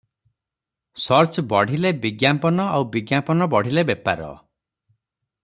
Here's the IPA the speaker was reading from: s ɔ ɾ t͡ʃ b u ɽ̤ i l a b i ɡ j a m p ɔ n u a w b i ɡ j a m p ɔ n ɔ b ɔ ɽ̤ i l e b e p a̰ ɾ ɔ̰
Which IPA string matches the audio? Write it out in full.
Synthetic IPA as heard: s ɔ ɾ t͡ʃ b ɔ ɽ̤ i l e b i ɡ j a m p ɔ n ɔ a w b i ɡ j a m p ɔ n ɔ b ɔ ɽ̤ i l e b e p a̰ ɾ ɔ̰